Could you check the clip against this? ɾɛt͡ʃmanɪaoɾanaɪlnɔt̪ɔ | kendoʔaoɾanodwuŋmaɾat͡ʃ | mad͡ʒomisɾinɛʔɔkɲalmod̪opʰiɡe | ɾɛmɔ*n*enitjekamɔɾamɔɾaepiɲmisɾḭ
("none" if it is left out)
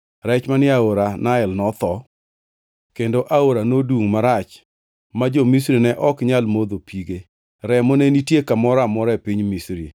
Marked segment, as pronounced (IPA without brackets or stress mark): n